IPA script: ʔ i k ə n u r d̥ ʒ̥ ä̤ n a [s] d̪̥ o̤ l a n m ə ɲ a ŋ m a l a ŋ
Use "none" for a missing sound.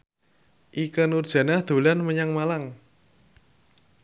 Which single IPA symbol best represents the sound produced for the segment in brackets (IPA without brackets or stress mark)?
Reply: h